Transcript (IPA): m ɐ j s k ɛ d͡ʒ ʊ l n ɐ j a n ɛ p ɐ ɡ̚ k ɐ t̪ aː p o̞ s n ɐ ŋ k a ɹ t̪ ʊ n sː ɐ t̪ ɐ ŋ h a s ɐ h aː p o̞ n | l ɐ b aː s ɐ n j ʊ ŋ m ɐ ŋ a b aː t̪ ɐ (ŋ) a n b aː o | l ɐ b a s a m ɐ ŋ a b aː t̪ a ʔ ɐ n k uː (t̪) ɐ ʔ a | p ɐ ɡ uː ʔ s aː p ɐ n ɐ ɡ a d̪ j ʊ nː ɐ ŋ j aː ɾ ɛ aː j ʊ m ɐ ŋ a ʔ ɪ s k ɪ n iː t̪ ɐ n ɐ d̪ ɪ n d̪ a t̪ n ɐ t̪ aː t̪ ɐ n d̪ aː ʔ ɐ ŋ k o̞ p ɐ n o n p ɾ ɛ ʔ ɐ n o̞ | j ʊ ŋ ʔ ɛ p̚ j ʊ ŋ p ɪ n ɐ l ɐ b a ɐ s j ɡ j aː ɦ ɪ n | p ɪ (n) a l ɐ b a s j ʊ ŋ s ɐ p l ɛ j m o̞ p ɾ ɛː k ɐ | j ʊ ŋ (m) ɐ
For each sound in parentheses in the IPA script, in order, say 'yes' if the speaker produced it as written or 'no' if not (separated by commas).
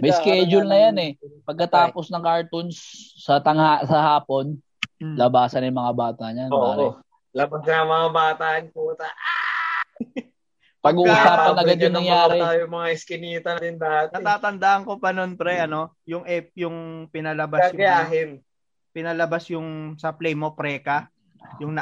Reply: no, yes, yes, no